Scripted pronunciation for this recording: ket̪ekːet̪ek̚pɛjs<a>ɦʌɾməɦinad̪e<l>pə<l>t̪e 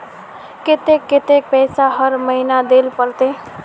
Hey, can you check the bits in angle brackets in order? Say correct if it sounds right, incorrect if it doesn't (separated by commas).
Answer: correct, correct, correct